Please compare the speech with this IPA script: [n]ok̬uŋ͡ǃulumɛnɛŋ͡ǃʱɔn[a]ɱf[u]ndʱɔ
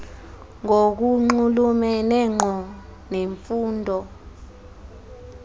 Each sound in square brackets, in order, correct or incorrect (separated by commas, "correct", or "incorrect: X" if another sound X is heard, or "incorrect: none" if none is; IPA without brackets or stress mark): incorrect: ŋ, incorrect: e, incorrect: uː